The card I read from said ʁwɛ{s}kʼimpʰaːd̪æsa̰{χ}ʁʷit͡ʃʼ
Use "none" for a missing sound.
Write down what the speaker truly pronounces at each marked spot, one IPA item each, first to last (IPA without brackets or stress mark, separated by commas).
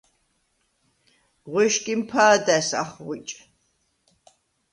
ʃ, χ